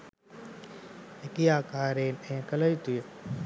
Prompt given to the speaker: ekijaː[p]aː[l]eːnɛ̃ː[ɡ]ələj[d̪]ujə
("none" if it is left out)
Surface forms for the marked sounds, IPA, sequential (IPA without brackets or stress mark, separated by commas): k, ɾ, k, t̪